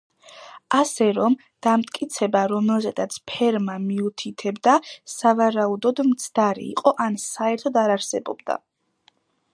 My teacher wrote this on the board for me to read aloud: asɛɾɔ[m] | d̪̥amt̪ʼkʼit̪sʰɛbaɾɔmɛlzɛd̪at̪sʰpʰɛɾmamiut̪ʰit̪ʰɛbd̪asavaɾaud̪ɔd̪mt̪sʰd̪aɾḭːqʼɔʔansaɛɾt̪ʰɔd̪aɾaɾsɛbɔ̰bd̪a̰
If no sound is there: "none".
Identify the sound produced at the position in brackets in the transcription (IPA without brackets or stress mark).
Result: m